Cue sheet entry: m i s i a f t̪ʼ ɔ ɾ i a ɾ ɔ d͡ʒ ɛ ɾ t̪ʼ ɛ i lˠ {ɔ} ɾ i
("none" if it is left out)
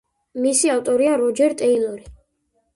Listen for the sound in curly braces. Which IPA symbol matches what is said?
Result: ɔ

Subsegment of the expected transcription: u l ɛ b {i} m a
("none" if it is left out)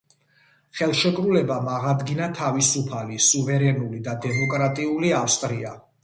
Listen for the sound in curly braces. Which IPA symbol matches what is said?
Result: a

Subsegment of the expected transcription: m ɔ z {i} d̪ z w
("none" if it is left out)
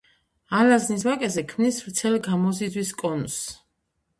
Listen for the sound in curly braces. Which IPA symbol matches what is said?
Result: i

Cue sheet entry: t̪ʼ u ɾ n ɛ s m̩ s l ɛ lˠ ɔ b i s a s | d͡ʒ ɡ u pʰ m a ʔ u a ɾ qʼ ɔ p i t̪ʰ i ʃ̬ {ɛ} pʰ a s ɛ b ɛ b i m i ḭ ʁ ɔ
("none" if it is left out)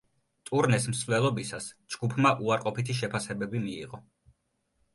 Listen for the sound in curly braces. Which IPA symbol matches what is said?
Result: ɛ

